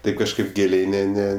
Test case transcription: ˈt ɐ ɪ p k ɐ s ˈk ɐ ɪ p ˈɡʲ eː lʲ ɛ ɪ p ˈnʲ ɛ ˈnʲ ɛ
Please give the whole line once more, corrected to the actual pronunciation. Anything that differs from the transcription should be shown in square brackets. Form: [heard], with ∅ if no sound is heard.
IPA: ˈt ɐ ɪ p k ɐ [ʃ] ˈk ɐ ɪ p ˈɡʲ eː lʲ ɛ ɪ [∅] ˈnʲ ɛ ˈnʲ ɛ